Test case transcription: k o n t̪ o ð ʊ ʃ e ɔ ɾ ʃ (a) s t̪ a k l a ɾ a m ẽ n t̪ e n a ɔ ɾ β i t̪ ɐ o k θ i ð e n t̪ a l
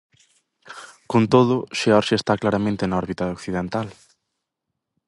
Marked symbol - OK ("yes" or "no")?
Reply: no